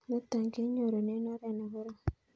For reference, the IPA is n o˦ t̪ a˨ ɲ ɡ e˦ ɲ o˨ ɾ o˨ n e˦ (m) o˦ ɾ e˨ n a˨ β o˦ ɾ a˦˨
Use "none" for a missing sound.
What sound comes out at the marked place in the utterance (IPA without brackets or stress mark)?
n